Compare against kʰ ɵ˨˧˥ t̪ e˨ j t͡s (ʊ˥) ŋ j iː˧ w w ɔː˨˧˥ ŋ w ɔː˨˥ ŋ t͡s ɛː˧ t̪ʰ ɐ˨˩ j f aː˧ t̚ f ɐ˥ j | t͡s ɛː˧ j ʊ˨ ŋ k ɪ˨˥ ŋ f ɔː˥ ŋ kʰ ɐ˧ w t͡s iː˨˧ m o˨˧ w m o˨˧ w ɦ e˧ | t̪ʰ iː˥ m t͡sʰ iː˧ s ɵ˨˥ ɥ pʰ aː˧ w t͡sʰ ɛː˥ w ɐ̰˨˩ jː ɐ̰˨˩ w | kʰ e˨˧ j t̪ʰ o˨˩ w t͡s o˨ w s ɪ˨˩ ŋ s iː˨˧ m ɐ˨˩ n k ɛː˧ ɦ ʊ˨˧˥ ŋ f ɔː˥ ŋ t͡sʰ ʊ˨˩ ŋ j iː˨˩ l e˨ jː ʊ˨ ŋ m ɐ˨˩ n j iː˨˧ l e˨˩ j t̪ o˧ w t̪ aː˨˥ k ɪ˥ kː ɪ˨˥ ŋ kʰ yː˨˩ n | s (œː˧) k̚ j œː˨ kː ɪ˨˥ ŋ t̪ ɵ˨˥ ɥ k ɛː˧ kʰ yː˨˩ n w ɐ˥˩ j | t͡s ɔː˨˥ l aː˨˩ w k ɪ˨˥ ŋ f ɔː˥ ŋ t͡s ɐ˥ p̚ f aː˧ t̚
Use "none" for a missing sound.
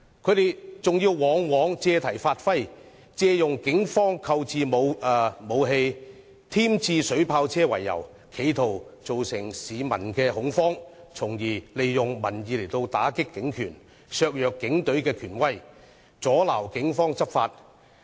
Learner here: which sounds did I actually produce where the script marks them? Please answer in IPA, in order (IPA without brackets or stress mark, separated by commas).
ʊ˨, œː˧